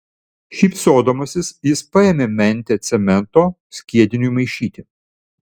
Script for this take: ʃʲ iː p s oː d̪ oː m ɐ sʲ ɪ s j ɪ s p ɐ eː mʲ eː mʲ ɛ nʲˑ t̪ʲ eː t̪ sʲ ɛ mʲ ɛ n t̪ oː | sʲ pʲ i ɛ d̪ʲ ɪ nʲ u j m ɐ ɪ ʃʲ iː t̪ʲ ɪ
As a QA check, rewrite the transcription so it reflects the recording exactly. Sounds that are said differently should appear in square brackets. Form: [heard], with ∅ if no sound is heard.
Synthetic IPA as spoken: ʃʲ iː p s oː d̪ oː m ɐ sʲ ɪ s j ɪ s p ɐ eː mʲ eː mʲ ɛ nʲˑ t̪ʲ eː t̪ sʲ ɛ mʲ ɛ n t̪ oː | sʲ [kʲ] i ɛ d̪ʲ ɪ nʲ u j m ɐ ɪ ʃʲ iː t̪ʲ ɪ